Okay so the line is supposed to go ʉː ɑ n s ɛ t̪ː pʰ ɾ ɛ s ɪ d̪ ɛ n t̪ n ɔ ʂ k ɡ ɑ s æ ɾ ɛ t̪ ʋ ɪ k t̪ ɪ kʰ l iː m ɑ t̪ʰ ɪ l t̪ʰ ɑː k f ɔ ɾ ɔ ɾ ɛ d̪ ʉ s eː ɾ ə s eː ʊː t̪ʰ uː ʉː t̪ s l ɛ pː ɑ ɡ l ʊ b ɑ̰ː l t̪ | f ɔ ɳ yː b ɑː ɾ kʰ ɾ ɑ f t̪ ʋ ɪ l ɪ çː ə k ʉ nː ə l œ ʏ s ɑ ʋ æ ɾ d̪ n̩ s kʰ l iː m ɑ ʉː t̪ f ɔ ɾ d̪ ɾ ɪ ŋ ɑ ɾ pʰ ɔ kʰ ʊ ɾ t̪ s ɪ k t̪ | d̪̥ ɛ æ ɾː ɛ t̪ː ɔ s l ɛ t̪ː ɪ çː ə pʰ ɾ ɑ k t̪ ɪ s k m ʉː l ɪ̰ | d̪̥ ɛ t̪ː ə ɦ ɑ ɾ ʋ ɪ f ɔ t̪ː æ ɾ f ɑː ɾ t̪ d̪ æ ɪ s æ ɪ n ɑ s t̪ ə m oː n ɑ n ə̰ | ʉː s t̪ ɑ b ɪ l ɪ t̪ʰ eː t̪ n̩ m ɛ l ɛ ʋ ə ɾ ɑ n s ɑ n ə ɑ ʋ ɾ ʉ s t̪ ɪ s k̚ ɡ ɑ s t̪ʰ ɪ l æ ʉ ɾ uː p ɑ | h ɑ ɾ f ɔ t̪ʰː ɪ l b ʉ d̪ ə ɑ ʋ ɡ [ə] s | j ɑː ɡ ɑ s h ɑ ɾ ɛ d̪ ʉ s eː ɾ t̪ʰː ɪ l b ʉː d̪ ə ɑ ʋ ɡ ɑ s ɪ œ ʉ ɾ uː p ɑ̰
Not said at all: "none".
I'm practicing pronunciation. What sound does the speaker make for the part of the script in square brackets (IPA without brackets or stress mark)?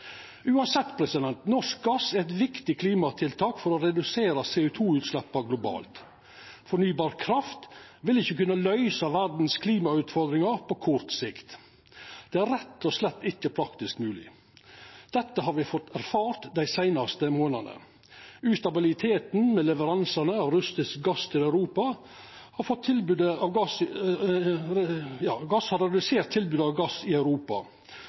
ɑ